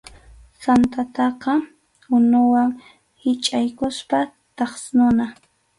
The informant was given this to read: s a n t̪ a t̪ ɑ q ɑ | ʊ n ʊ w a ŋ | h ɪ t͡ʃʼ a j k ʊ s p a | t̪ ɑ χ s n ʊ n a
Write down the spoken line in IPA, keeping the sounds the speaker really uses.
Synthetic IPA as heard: s a n t̪ a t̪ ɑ q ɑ | ʊ n ʊ w a ŋ | h ɪ t͡ʃʼ a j k ʊ s p a | t̪ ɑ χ s n ʊ n a